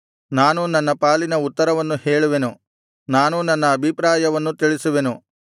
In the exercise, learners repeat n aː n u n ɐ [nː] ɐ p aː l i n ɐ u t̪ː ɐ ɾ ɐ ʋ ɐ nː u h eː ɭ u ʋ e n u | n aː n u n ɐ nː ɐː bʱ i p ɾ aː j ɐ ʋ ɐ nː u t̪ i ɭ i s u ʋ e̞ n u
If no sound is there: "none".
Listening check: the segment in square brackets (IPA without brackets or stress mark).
nː